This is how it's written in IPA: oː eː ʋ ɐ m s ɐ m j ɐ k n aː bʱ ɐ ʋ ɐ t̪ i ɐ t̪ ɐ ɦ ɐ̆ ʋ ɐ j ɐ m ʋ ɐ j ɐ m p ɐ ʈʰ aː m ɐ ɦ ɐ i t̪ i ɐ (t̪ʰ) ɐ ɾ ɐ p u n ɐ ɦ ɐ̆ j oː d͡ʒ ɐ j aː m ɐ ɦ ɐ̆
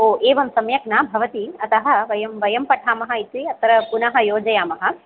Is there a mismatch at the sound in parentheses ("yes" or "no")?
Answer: yes